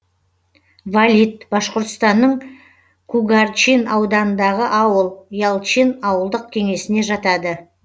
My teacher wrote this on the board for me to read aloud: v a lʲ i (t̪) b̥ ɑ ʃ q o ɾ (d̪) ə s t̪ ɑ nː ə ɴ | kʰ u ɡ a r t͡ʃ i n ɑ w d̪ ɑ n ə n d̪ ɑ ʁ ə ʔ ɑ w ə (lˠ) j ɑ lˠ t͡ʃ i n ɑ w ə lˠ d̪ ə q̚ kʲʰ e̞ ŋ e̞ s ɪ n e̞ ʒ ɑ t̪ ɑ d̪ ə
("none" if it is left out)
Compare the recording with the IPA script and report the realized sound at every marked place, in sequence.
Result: t̪, t̪, lˠ

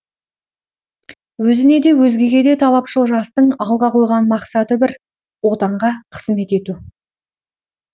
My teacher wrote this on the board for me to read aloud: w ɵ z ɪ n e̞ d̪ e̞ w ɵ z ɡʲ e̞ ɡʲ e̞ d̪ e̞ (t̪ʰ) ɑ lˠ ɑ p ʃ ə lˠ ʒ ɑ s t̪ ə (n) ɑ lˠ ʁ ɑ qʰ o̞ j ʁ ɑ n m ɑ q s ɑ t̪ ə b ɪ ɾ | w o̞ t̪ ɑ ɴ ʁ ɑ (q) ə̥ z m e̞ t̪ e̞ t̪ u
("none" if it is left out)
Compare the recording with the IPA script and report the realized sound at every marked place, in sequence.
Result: t̪ʰ, ɴ, qʰ

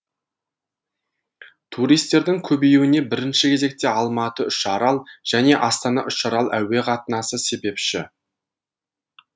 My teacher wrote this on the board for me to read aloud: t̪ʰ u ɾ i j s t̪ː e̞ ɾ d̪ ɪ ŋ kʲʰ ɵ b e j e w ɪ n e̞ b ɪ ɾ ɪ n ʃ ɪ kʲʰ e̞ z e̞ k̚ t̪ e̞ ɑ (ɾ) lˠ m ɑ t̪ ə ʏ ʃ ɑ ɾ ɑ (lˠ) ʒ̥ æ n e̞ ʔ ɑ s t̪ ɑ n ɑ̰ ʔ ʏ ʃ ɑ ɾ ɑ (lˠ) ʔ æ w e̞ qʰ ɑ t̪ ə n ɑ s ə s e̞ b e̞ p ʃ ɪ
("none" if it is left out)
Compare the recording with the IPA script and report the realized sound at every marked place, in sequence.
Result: none, lˠ, lˠ

